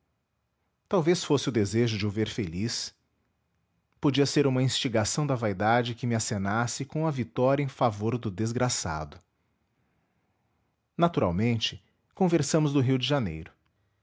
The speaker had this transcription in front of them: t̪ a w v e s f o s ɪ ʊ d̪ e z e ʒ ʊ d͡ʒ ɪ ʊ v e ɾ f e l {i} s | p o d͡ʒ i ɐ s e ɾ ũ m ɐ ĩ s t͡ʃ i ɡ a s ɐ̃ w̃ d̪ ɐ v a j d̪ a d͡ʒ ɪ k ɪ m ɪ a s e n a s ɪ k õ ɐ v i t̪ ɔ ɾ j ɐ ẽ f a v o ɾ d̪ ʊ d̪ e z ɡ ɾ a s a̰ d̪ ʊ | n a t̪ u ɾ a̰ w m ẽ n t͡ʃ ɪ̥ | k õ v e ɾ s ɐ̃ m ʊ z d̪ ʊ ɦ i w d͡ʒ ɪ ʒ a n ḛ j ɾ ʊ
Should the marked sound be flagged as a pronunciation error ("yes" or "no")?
no